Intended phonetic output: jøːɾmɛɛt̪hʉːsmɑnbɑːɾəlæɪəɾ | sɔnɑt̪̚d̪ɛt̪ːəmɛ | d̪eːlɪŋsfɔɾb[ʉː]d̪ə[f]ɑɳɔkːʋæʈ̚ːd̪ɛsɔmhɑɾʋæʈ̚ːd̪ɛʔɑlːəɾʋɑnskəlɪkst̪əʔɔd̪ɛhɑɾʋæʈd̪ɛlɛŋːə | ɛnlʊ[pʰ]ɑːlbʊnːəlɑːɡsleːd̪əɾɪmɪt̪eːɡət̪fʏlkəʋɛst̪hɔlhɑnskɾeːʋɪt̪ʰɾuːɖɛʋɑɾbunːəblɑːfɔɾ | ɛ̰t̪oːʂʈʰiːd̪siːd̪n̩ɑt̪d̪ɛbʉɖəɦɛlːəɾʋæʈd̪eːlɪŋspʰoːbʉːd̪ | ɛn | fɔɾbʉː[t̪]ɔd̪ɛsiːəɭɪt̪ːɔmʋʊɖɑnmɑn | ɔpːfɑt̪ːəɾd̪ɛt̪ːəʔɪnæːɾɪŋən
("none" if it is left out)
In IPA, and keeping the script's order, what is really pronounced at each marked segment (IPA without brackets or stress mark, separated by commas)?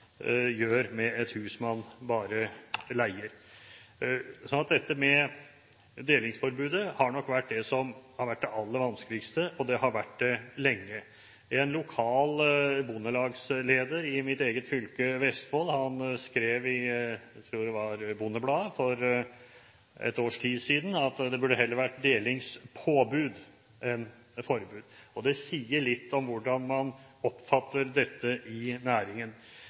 ʉː, h, kʰ, d̪